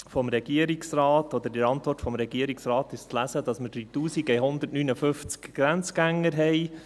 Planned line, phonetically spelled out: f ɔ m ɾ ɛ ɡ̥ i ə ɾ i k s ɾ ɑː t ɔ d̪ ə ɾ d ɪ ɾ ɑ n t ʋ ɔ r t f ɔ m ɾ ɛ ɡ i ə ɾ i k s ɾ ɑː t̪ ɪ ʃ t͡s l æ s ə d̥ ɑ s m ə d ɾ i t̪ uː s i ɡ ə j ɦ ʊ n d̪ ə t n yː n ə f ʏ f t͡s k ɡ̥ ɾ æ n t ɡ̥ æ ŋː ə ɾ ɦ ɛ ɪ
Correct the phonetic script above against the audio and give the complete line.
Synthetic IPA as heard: f ɔ m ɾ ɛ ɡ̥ i ə ɾ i k s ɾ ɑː t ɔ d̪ ə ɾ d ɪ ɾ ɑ n t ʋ ɔ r t f ɔ m ɾ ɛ ɡ i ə ɾ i k s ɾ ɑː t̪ ɪ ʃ t͡s l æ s ə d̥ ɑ s m ə d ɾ i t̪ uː s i ɡ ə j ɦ ʊ n d̪ ə t n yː n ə f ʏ f t͡s k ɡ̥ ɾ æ n t͡s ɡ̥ æ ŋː ə ɾ ɦ ɛ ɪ